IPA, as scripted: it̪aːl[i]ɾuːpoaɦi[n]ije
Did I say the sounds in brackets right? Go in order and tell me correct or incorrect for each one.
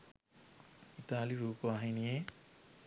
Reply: correct, correct

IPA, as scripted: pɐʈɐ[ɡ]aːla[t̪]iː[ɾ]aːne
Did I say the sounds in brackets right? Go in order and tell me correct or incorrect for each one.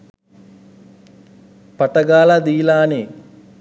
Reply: correct, incorrect, incorrect

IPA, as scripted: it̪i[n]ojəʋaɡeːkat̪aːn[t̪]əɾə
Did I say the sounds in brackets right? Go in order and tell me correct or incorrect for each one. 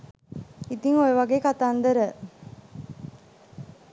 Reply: incorrect, incorrect

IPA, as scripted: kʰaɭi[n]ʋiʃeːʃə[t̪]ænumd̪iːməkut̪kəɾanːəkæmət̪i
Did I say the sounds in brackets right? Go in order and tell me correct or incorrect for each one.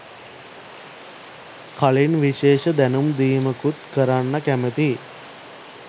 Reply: correct, incorrect

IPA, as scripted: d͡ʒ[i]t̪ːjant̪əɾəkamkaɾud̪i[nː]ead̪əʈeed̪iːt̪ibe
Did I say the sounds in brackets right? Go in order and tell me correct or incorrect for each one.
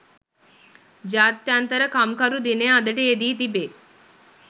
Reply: incorrect, incorrect

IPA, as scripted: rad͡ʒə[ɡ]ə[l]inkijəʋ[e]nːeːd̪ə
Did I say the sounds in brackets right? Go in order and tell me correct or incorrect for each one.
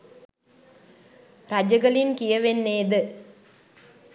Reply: correct, correct, correct

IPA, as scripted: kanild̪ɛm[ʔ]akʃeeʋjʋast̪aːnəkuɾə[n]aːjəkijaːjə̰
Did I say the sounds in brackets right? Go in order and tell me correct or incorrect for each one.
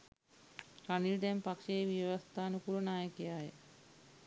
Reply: incorrect, correct

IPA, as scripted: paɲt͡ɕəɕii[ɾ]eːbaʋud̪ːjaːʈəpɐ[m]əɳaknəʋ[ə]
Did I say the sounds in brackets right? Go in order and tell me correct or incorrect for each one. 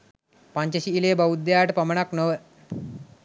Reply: incorrect, correct, correct

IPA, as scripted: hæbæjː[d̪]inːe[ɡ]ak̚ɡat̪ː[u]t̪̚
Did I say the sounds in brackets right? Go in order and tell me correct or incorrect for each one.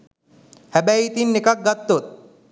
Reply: incorrect, incorrect, incorrect

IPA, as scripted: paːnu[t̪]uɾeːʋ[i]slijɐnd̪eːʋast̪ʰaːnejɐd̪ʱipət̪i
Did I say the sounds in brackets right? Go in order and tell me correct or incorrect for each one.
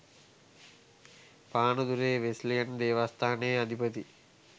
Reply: incorrect, incorrect

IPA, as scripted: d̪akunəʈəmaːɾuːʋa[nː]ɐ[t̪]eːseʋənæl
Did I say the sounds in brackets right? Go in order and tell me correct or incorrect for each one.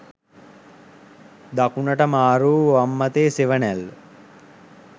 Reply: incorrect, correct

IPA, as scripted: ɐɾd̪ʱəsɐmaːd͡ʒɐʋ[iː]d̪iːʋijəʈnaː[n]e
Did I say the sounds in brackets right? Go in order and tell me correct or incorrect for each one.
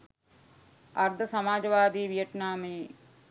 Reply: incorrect, incorrect

